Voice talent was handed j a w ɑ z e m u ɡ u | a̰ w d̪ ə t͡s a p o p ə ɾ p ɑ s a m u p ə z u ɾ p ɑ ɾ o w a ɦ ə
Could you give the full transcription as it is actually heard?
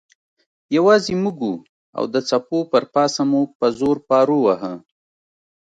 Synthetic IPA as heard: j a w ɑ z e m u ɡ u | a̰ w d̪ ə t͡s a p o p ə ɾ p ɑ s a m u p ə z o ɾ p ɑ ɾ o w a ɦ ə